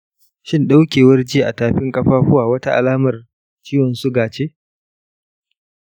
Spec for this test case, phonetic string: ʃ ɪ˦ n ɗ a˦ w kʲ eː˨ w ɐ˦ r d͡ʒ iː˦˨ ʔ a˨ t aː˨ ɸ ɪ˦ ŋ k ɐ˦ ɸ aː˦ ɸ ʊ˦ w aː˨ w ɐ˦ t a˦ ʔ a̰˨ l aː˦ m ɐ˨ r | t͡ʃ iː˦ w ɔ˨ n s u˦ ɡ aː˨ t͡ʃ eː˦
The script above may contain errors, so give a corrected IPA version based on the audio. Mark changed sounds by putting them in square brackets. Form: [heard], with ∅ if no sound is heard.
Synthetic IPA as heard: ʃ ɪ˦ n ɗ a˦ w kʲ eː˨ w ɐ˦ r d͡ʒ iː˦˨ ʔ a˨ t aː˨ ɸ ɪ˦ ŋ [kʼ] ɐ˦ ɸ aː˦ ɸ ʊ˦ w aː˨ w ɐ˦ t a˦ ʔ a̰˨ l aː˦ m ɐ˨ r | t͡ʃ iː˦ w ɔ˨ n s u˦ ɡ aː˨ t͡ʃ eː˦